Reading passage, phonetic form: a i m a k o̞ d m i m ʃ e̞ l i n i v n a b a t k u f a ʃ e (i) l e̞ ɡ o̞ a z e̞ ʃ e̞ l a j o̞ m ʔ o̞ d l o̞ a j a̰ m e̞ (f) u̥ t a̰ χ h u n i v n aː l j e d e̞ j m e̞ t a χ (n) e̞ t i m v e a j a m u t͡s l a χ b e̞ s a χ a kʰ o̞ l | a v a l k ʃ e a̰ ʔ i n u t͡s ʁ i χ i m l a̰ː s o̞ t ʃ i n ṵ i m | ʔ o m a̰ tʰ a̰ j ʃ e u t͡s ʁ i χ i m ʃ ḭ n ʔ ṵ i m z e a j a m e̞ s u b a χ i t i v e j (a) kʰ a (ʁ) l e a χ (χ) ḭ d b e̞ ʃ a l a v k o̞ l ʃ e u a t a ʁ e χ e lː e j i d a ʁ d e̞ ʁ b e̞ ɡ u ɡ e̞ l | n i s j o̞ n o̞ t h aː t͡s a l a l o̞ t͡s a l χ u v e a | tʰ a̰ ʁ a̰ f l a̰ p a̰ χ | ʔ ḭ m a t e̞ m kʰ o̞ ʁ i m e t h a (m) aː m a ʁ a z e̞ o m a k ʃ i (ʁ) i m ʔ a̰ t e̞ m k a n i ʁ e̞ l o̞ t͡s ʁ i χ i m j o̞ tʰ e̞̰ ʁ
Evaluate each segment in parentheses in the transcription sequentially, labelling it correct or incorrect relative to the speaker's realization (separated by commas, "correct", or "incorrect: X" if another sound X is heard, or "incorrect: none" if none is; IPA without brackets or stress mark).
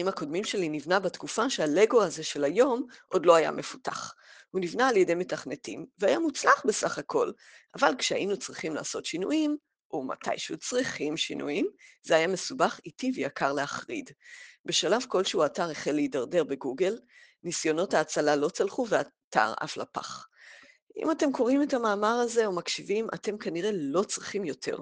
incorrect: a, correct, correct, correct, correct, incorrect: ʁ, correct, incorrect: v